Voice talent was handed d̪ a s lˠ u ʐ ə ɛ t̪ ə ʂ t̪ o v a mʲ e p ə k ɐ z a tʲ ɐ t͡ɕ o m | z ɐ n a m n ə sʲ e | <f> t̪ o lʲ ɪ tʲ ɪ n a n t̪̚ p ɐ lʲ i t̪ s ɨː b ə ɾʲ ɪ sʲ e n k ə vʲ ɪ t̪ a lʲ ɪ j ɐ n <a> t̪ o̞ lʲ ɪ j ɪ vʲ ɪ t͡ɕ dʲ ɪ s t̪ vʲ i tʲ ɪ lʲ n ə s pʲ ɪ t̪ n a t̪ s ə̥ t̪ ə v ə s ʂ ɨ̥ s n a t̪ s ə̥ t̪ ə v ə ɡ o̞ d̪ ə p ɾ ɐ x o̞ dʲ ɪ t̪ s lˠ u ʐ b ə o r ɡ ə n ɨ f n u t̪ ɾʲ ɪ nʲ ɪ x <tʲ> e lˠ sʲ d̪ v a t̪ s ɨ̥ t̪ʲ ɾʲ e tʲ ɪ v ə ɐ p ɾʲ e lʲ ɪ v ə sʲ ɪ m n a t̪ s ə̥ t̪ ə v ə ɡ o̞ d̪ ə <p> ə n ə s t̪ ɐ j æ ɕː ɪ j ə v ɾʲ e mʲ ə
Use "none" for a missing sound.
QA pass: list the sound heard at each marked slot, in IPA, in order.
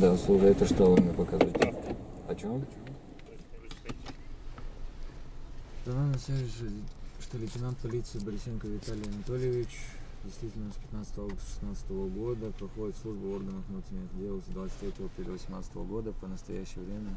ʂ, ɐ, dʲ, p

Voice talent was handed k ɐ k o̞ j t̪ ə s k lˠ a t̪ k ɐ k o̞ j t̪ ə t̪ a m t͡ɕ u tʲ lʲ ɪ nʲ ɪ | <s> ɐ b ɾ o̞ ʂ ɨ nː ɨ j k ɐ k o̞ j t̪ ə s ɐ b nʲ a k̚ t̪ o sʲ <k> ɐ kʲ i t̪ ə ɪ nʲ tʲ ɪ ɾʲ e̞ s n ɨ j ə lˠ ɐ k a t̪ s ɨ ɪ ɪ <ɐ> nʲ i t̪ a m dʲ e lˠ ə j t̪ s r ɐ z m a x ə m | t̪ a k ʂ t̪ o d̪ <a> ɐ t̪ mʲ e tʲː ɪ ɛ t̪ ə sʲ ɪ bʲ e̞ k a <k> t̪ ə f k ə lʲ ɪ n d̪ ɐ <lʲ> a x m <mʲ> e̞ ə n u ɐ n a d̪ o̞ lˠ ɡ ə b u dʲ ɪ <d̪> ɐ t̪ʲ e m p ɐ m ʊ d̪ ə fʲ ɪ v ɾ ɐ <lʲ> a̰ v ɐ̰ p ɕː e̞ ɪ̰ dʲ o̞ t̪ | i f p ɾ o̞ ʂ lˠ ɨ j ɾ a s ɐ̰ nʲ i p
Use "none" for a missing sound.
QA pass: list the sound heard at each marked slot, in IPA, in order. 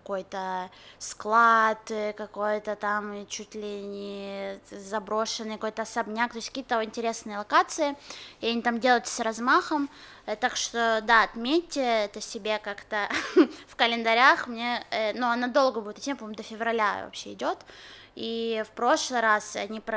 z, k, ɐ, a, k, ɾʲ, nʲ, t̪, lʲ

